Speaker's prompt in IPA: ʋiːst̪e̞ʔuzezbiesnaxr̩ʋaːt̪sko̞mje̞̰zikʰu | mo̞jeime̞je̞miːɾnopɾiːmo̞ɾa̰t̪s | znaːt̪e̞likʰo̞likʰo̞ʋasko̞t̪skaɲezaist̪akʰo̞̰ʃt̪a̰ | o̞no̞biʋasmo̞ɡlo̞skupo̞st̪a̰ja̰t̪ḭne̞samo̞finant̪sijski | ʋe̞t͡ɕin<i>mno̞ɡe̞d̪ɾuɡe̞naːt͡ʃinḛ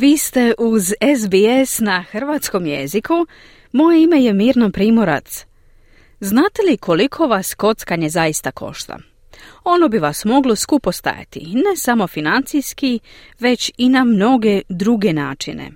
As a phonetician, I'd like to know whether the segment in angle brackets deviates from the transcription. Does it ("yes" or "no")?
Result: yes